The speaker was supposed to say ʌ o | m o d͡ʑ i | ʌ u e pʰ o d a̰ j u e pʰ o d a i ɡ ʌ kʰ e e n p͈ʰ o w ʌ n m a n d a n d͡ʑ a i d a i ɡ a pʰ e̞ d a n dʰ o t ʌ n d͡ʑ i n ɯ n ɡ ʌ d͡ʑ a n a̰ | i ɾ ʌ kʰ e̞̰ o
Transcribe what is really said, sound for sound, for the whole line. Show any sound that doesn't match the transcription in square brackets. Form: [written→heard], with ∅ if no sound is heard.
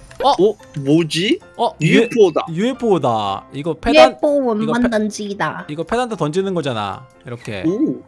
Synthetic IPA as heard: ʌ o | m o d͡ʑ i | ʌ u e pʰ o d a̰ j u e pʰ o d a i ɡ ʌ [kʰ→pʰ] e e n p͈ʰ o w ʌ n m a n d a n d͡ʑ [a→i] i d a i ɡ [a→ʌ] pʰ e̞ d a n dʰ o t ʌ n d͡ʑ i n ɯ n ɡ ʌ d͡ʑ a n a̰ | i ɾ ʌ kʰ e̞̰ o